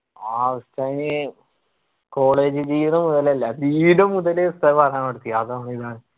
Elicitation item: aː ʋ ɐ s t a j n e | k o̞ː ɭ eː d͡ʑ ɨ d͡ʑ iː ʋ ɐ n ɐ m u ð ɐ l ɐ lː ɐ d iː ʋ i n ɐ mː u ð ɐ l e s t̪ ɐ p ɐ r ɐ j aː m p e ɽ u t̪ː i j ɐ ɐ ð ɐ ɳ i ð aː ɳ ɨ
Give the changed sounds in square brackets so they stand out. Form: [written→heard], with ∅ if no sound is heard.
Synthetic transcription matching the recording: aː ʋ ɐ s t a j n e | k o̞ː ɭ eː d͡ʑ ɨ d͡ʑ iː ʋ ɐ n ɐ m u ð ɐ l ɐ lː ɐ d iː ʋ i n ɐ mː u ð ɐ l e s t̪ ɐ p ɐ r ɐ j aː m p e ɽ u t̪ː i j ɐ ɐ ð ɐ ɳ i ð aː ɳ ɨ